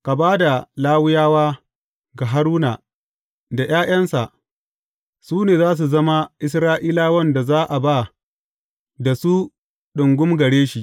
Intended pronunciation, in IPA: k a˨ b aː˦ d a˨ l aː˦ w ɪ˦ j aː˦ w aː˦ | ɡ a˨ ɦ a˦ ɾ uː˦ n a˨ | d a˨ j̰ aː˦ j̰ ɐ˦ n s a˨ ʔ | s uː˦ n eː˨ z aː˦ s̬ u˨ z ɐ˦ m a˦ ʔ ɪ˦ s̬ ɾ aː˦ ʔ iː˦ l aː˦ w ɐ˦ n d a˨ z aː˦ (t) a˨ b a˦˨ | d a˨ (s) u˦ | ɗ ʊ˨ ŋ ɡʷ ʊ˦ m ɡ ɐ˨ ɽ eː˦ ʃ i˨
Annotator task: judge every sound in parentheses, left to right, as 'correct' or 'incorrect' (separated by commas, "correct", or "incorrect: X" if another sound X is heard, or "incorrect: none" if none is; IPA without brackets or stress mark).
incorrect: ʔ, correct